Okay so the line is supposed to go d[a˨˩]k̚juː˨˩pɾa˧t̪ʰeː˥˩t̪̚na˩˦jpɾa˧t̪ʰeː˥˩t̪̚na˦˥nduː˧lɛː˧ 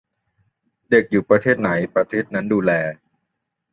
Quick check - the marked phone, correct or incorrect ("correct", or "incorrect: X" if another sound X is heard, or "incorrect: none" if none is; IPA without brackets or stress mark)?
incorrect: e˨˩